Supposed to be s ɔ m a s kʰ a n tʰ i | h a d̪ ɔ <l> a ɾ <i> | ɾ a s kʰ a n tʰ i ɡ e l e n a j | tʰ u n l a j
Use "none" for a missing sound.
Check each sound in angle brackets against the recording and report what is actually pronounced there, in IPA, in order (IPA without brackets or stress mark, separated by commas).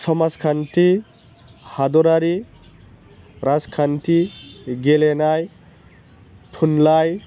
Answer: ɾ, i